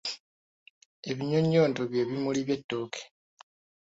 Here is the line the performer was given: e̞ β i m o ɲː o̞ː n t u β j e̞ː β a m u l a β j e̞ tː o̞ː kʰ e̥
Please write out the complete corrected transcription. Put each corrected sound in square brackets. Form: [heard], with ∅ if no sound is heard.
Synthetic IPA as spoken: e̞ β i [ɲ] o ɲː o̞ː n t [o] β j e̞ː β [i] m u l [i] β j e̞ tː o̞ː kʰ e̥

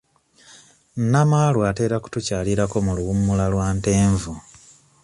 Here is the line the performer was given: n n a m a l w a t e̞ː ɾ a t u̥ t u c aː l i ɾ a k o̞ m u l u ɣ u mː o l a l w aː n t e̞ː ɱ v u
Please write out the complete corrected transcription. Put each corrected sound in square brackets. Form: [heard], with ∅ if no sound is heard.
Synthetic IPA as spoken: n n a m a l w a t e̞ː ɾ a [k] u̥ t u c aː l i ɾ a k o̞ m u l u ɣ u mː [u] l a l w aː n t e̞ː ɱ v u

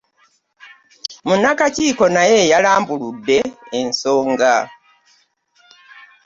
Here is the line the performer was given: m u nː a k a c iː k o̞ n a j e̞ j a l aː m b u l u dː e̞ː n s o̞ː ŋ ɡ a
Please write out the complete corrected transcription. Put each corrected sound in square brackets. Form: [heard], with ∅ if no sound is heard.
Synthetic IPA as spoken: m u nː a k a c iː k o̞ n a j e̞ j a l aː m b u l u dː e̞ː n s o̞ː ŋ ɡ a

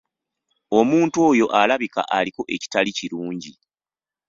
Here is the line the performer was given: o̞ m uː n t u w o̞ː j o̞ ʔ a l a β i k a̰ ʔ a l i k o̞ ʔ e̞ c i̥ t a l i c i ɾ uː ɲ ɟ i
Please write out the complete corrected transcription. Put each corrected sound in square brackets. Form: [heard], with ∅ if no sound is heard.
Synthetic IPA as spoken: o̞ m uː n t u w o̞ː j o̞ ʔ a l a β i k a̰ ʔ a l i k o̞ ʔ e̞ c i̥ t a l i c i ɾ uː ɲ ɟ i

